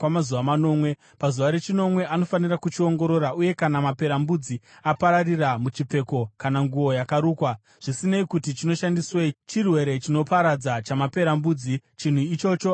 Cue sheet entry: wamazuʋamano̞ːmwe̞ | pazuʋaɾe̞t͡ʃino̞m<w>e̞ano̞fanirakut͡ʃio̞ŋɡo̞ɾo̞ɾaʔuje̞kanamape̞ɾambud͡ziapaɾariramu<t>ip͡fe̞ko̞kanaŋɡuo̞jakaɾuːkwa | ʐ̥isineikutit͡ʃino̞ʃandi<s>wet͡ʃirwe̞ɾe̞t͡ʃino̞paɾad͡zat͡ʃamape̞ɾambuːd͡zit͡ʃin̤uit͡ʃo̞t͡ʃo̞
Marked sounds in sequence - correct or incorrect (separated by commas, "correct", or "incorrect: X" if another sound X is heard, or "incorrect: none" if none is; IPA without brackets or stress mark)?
correct, incorrect: t͡ʃ, correct